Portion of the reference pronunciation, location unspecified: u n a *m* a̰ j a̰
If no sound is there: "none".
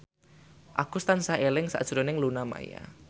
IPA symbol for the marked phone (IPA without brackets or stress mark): m